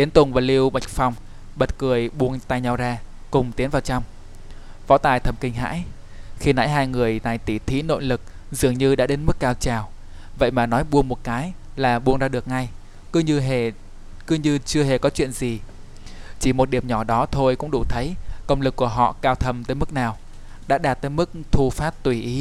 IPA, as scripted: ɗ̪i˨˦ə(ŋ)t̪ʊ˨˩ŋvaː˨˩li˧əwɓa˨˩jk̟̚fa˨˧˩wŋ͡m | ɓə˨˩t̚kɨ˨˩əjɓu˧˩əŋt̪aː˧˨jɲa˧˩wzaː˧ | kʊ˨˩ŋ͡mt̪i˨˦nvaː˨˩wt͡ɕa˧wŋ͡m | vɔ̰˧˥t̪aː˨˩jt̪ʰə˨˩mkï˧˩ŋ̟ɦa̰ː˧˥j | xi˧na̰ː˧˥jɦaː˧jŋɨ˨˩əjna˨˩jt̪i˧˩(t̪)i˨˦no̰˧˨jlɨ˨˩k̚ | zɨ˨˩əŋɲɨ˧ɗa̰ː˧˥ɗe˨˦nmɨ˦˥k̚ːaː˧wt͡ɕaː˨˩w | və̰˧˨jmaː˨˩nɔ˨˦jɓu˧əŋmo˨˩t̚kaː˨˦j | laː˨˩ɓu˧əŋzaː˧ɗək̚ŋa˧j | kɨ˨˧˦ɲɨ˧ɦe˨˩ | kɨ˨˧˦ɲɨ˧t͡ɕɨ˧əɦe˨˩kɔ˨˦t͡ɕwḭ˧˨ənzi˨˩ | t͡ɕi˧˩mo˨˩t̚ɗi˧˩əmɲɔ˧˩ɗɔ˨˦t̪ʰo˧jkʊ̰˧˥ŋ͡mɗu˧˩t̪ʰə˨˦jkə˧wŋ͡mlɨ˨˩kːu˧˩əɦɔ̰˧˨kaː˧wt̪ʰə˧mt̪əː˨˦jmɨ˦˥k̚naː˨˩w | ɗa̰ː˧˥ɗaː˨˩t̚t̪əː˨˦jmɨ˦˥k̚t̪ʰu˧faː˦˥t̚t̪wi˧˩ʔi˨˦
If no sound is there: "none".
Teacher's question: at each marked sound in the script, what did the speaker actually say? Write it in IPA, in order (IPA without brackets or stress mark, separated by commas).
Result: n, t̪ʰ